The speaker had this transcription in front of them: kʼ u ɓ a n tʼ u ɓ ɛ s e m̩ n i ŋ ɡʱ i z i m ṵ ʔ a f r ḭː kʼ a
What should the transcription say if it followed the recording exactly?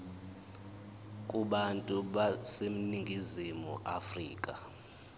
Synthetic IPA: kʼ u ɓ a n tʼ u ɓ a s e m̩ n i ŋ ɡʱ i z i m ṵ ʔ a f r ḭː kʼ a